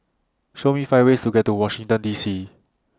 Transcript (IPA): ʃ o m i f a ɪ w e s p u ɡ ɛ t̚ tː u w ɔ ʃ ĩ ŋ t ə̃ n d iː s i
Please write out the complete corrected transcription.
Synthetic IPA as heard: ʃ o m i f a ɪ w e s t u ɡ ɛ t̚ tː u w ɔ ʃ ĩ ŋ t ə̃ n d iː s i